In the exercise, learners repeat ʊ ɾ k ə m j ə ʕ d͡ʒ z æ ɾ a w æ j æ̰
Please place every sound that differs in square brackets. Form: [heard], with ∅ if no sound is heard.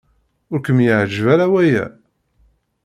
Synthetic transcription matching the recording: ʊ ɾ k ə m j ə ʕ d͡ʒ [v] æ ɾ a w æ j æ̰